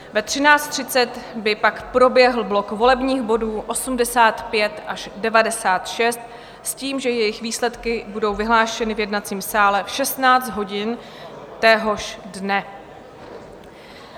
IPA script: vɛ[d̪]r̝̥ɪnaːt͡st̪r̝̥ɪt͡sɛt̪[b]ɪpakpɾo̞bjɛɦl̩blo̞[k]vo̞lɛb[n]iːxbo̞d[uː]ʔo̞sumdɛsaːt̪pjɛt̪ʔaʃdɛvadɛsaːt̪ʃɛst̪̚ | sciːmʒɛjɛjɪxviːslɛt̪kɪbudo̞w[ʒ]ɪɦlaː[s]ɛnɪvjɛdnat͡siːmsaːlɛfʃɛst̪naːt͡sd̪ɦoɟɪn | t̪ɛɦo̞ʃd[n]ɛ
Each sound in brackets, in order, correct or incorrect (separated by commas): incorrect, correct, correct, incorrect, correct, incorrect, incorrect, correct